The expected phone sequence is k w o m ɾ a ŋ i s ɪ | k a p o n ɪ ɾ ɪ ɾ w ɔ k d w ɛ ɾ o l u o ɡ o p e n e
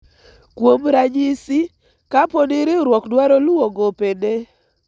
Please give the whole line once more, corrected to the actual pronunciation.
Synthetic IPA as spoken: k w o m ɾ a ɲ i s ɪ | k a p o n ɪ ɾ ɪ ɾ w ɔ k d w a ɾ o l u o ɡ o p e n e